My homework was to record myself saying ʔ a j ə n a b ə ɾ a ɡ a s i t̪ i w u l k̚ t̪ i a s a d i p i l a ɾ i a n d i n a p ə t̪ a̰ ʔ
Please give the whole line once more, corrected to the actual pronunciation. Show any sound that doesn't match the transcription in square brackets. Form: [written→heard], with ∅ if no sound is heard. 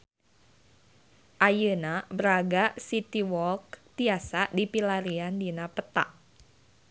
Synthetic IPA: ʔ a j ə n a b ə ɾ a ɡ a s i t̪ i w [u→ɔ] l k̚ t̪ i a s a d i p i l a ɾ i a n d i n a p ə t̪ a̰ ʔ